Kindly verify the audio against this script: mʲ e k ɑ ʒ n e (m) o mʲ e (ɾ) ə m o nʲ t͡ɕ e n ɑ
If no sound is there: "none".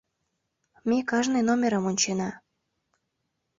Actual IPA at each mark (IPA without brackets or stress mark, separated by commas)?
n, ɾ